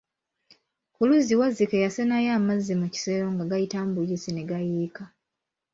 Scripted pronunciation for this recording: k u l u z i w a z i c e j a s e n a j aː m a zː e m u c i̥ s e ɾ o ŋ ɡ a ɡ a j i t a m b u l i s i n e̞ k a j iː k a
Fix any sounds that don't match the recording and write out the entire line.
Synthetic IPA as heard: k u l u z i w a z i k e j a s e n a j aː m a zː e m u c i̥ s e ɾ o ŋ ɡ a ɡ a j i t a m b u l i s i n e̞ ɡ a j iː k a